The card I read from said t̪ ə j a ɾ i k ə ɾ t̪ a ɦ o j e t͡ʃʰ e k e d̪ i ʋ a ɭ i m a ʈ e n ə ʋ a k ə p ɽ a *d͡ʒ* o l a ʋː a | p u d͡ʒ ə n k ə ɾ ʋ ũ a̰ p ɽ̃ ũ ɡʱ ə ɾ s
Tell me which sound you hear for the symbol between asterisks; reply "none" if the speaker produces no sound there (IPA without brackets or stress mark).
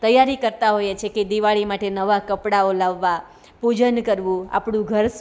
none